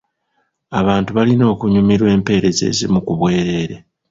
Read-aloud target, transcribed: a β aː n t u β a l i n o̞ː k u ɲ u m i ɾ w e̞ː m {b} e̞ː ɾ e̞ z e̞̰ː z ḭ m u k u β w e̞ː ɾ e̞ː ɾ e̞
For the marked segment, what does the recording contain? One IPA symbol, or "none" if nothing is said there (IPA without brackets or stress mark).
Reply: p